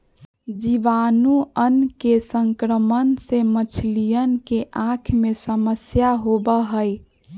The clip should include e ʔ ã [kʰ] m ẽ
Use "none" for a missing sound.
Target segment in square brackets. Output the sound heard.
kʰ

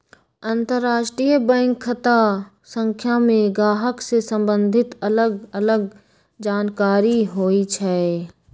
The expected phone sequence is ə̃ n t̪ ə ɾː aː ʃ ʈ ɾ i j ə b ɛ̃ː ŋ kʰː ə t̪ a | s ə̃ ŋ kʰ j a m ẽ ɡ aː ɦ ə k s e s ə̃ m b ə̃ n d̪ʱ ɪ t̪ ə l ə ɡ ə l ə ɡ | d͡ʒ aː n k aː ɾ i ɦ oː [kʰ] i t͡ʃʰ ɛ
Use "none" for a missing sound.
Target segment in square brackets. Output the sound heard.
none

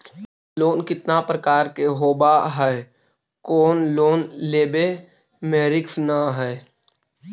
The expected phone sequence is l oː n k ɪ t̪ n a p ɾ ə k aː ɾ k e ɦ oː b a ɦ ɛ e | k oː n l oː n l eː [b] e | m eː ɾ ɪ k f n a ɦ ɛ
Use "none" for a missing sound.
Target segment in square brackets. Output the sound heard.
b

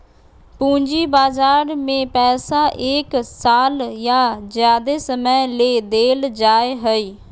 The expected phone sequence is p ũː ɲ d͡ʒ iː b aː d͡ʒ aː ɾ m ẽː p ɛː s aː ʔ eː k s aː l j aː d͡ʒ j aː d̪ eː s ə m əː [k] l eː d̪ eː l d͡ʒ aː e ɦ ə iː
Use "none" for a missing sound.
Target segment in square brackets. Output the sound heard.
none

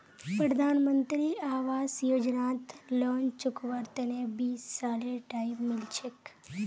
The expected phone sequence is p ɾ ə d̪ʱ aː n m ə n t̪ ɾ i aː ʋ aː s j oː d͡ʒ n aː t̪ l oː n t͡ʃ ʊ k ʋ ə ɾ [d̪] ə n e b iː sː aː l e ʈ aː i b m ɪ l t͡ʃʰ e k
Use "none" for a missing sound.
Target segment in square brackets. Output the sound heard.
t̪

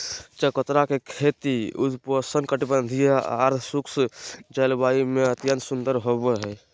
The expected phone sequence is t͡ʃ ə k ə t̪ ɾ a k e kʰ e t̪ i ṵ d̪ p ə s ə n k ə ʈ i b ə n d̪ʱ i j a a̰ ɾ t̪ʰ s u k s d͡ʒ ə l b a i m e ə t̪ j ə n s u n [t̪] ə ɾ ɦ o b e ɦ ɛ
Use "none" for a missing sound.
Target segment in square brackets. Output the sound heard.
d̪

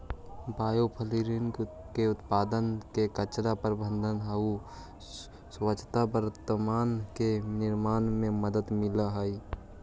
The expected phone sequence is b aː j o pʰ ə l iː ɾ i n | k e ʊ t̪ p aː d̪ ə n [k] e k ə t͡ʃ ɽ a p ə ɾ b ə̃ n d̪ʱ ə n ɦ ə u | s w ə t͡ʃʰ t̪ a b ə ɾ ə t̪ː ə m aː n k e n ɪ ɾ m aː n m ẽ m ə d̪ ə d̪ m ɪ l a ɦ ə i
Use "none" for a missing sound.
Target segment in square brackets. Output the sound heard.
k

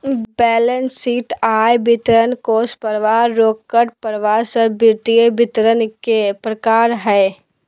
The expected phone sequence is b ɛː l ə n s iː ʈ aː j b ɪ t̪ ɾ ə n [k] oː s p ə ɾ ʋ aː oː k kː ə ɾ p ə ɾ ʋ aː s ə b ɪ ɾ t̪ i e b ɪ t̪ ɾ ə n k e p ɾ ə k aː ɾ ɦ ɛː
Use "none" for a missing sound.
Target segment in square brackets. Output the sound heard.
k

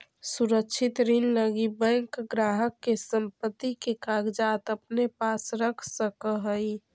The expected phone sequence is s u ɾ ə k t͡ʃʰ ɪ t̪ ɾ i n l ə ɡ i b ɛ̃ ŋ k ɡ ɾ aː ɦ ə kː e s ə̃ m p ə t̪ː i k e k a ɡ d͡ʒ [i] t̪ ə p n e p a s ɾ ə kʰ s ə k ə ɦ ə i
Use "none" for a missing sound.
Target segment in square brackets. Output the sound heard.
a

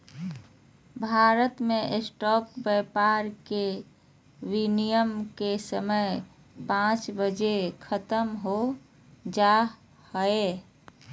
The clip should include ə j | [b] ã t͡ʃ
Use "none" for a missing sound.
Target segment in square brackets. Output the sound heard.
p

